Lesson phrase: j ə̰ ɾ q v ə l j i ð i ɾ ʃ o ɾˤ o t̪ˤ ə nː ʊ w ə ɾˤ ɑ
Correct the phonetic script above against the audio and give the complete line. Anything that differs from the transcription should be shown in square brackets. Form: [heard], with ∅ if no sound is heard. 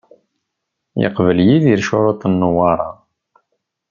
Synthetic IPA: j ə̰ [∅] q v ə l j i ð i ɾ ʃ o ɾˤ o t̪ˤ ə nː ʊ w [ɑ] ɾˤ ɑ